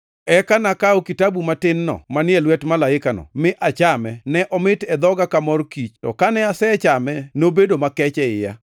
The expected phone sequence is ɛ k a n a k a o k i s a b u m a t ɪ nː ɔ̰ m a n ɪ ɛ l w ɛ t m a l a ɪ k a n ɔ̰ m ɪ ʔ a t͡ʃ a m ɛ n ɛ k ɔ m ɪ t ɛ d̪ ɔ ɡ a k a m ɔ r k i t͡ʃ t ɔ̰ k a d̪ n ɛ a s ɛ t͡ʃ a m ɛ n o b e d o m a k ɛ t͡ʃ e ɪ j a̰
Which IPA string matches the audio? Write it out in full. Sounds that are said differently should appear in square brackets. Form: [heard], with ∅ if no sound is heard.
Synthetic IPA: ɛ k a n a k a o k i [t] a b u m a t ɪ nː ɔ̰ m a n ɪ ɛ l w ɛ t m a l a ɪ k a n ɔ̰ m ɪ ʔ a t͡ʃ a m ɛ n ɛ [ʔ] ɔ m ɪ t ɛ d̪ ɔ ɡ a k a m ɔ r k i t͡ʃ t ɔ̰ k a [∅] n ɛ a s ɛ t͡ʃ a m ɛ n o b e d o m a k ɛ t͡ʃ [ɛ] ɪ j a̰